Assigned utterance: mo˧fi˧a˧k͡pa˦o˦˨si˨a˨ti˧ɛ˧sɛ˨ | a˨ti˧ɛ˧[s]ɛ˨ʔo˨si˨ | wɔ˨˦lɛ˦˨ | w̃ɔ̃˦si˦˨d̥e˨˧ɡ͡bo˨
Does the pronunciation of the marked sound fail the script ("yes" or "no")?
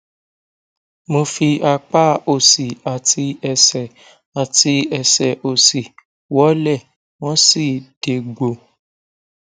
no